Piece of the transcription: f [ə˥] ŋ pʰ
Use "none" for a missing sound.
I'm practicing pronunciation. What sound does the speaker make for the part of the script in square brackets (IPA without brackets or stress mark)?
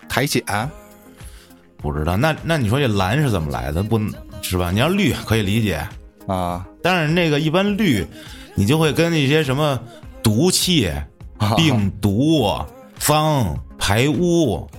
ɑ˥